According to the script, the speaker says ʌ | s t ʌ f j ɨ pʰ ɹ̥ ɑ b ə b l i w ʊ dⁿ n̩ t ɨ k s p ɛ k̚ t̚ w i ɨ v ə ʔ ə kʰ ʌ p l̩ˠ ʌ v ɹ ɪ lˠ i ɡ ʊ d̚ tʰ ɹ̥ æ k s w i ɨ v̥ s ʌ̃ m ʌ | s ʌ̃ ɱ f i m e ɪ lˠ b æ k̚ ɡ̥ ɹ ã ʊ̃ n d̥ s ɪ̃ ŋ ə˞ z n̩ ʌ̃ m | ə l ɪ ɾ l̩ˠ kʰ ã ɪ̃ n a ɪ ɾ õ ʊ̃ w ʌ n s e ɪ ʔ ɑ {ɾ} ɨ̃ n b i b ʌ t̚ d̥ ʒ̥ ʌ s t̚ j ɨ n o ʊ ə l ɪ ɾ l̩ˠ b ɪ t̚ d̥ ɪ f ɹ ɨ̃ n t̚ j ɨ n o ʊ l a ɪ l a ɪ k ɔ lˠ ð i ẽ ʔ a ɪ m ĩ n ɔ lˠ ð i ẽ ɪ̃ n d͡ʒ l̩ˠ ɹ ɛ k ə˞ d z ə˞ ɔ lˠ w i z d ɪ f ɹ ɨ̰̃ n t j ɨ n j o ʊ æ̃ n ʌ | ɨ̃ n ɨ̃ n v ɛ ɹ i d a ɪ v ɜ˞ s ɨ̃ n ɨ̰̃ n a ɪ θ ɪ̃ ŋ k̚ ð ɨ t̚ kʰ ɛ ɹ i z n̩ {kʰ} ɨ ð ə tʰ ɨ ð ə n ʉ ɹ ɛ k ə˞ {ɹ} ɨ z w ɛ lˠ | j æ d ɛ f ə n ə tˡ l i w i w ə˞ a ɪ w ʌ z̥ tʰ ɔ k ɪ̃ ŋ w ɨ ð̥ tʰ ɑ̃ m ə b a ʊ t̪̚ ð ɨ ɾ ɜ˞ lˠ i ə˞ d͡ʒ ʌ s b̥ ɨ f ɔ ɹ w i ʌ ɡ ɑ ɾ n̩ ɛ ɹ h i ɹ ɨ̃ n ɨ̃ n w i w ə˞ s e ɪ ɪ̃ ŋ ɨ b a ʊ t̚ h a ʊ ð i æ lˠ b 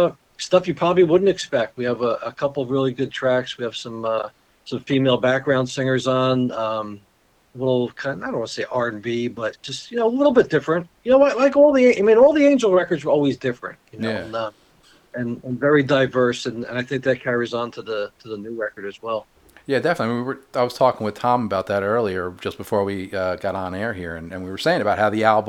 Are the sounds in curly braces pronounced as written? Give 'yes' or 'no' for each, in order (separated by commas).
no, no, no